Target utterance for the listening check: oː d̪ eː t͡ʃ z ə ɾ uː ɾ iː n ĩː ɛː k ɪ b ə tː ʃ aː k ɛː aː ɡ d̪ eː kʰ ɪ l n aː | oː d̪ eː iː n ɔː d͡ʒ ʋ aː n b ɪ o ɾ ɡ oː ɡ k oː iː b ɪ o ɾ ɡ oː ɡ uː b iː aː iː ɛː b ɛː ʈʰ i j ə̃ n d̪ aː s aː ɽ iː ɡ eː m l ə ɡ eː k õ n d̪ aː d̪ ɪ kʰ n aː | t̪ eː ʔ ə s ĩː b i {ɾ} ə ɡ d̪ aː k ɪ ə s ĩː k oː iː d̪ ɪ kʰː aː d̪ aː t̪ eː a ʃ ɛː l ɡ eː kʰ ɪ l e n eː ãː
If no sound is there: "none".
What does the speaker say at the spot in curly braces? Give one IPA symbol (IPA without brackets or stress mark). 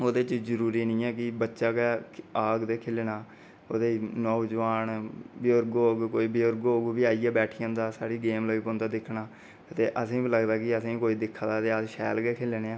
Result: l